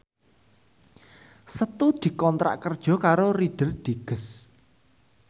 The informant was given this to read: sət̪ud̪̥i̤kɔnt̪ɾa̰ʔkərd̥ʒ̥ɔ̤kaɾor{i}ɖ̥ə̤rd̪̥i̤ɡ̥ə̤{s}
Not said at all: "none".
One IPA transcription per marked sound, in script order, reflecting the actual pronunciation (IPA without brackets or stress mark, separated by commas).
i, s